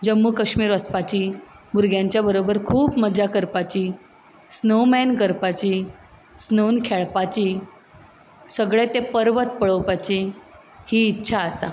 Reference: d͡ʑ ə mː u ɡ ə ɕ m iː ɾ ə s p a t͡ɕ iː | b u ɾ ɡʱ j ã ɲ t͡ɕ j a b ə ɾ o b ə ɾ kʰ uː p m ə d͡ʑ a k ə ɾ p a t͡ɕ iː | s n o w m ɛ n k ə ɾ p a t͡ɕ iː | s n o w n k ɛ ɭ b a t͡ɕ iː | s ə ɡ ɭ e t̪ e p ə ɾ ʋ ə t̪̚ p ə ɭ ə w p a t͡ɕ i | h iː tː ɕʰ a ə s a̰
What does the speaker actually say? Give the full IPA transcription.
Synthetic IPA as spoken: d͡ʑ ə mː u k ə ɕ m iː ɾ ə s p a t͡ɕ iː | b u ɾ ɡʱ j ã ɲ t͡ɕ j a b ə ɾ o b ə ɾ kʰ uː p m ə d͡ʑ a k ə ɾ p a t͡ɕ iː | s n o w m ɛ n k ə ɾ p a t͡ɕ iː | s n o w n kʰ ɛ ɭ p a t͡ɕ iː | s ə ɡ ɭ e t̪ e p ə ɾ ʋ ə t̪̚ p ə ɭ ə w p a t͡ɕ i | h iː tː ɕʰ a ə s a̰